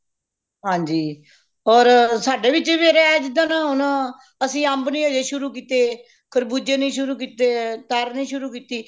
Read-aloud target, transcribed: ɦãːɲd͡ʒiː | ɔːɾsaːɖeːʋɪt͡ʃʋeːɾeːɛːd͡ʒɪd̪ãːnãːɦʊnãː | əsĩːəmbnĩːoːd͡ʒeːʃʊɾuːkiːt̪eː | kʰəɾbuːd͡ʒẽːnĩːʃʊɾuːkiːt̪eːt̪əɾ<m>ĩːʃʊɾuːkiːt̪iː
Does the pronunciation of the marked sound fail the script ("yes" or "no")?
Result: yes